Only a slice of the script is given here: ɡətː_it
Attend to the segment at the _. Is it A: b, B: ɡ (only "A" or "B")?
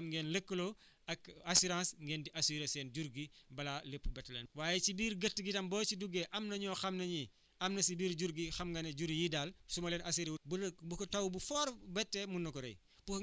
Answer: B